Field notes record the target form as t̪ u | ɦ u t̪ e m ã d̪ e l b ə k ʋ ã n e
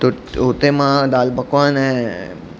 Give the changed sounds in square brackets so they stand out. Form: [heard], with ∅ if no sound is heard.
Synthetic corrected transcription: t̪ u | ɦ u t̪ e m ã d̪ [a] l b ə k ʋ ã n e